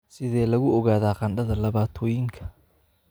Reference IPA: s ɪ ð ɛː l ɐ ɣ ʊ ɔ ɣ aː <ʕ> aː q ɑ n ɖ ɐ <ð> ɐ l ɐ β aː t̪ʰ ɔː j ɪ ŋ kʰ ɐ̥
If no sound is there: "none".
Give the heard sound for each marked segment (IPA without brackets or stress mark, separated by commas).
ð, ð